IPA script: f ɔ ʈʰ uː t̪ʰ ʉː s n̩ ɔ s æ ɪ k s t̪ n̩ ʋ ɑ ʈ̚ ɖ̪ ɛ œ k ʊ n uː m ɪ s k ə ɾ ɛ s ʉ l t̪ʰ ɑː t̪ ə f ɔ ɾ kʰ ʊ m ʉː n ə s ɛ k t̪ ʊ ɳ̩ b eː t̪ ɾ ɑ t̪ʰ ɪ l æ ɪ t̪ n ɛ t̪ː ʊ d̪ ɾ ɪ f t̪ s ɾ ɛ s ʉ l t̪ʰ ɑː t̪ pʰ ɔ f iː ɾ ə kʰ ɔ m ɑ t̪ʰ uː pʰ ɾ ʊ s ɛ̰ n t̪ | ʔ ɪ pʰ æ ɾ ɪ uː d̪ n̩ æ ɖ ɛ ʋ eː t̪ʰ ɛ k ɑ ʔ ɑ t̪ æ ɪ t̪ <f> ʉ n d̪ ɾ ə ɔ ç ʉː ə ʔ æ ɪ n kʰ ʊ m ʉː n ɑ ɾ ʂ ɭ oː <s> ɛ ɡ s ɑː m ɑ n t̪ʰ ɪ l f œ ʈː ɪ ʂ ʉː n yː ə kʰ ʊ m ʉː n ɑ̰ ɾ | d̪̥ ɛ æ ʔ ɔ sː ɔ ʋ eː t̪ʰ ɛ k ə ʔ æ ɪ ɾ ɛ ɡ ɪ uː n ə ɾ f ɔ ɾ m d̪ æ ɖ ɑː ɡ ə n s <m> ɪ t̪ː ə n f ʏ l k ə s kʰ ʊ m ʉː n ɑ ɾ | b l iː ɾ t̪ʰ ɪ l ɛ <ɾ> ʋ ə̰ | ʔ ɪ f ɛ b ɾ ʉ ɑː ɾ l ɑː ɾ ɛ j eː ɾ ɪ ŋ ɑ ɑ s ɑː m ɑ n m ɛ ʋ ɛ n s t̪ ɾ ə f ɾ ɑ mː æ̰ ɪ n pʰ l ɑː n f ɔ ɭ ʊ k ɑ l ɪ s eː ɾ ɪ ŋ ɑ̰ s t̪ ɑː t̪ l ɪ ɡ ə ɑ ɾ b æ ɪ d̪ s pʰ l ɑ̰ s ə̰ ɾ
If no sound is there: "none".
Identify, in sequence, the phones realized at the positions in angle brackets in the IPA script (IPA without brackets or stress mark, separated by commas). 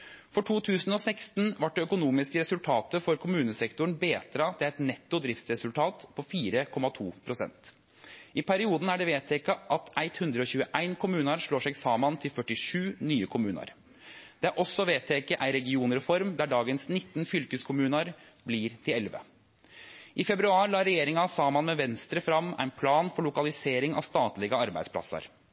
h, ʂ, n, l